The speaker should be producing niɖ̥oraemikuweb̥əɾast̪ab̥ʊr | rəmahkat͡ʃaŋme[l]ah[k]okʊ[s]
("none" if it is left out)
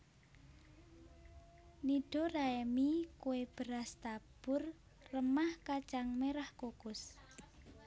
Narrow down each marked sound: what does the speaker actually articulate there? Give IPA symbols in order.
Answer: ɾ, k, s

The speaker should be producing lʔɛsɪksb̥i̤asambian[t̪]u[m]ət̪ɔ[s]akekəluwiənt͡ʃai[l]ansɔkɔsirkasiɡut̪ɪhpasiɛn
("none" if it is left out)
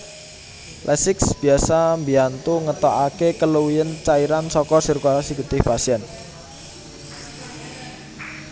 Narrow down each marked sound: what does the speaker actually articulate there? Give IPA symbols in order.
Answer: t̪, ŋ, none, ɾ

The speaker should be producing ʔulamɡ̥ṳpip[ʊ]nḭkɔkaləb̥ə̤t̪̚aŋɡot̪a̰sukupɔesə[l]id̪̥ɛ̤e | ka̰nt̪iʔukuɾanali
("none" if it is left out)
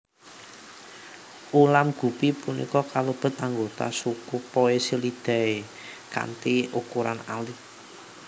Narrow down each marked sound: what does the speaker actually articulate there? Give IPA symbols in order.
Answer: u, l

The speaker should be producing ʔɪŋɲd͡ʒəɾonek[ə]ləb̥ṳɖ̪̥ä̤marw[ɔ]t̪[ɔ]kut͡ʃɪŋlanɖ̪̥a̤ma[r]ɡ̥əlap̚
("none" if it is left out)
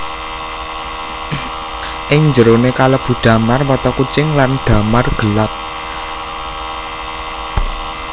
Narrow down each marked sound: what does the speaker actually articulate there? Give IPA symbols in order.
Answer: a, ɔ, ɔ, r

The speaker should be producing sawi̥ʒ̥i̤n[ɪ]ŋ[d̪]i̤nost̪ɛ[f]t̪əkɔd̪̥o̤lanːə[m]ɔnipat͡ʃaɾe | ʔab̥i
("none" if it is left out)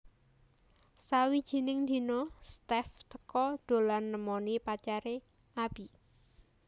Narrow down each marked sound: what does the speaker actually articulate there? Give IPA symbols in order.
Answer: ɪ, d̪, f, m

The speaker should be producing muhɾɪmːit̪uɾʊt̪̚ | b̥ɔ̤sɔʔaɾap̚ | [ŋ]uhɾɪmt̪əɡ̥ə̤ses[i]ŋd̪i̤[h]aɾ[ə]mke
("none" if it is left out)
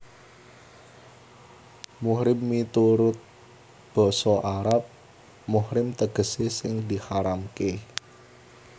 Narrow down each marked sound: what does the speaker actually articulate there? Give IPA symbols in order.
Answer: m, ɪ, h, a

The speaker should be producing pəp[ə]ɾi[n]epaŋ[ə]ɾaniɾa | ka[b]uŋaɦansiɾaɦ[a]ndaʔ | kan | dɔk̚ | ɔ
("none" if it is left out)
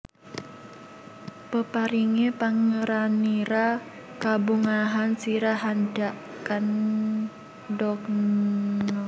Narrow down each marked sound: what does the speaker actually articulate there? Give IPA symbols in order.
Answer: a, ŋ, ə, b, a

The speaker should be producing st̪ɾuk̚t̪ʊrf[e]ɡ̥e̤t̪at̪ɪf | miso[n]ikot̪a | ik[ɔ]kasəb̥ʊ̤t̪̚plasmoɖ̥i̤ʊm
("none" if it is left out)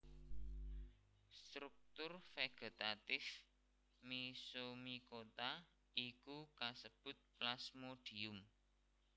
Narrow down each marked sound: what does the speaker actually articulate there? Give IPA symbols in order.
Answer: e, m, u

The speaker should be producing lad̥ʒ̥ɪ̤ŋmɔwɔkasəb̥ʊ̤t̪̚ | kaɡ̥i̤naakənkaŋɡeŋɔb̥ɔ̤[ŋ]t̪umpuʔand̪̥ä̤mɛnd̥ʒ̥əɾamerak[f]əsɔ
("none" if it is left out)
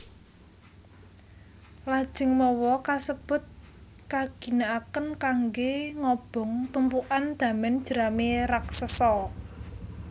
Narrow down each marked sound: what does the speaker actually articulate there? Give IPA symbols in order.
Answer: ŋ, s

